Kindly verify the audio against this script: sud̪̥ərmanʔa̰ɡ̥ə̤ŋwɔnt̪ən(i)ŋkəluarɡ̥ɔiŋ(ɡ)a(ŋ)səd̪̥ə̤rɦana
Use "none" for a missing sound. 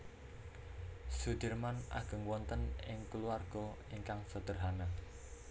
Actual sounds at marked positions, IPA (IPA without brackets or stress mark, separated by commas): ɪ, k, ŋ